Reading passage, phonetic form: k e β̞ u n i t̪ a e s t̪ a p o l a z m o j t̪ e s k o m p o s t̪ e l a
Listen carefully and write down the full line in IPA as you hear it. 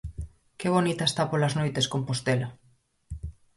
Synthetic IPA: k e β̞ o n i t̪ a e s t̪ a p o l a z n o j t̪ e s k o m p o s t̪ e l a